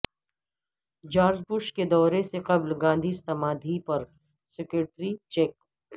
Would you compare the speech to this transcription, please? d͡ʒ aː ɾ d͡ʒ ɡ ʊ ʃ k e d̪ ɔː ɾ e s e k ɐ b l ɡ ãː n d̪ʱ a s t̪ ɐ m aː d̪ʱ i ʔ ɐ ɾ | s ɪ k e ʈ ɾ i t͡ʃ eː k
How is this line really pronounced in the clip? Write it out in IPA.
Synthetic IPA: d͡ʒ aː ɾ d͡ʒ b ʊ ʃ k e d̪ ɔː ɾ e s e q ɐ b l ɡ ãː n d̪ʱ i s t̪ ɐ m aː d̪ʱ i p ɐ ɾ | s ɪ k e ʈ ɾ i t͡ʃ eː k